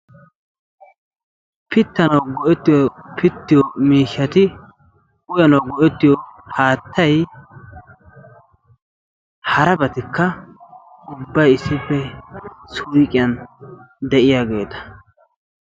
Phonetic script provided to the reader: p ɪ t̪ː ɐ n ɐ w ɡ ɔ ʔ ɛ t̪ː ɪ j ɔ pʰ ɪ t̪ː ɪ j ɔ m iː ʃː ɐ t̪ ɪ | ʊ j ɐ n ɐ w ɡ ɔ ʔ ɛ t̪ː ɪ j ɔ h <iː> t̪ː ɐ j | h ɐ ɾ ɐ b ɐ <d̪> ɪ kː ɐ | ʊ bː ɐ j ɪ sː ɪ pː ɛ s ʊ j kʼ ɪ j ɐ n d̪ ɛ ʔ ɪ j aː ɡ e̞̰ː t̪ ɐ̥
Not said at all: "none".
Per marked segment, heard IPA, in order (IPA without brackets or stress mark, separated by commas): aː, t̪